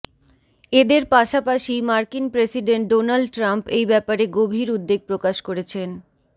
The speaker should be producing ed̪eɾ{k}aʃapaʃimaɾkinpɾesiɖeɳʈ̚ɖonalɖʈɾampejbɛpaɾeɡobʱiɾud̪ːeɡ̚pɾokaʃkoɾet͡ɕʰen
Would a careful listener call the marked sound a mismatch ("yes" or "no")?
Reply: yes